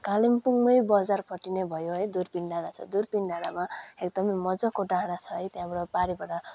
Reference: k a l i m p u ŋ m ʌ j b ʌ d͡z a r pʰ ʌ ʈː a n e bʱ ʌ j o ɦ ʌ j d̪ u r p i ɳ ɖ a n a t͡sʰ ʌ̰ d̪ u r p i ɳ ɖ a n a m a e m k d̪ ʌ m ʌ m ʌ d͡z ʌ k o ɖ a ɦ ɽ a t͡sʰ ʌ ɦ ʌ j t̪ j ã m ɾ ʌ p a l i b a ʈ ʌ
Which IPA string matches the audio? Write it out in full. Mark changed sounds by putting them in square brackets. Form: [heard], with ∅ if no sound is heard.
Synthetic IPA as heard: k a l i m p u ŋ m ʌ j b ʌ d͡z a r pʰ ʌ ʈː [i] n e bʱ ʌ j o ɦ ʌ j d̪ u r p i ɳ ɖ a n a t͡sʰ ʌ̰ d̪ u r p i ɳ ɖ a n a m a e [∅] k d̪ ʌ m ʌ m ʌ d͡z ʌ k o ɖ a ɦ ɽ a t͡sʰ ʌ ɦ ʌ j t̪ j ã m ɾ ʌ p a [ɾ] i b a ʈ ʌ